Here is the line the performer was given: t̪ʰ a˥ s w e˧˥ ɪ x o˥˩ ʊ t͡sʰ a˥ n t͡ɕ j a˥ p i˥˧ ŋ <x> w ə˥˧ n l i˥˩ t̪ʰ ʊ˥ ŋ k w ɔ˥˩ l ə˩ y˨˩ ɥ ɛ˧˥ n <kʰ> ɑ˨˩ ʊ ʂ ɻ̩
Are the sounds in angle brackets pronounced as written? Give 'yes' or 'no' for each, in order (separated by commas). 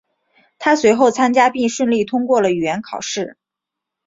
no, yes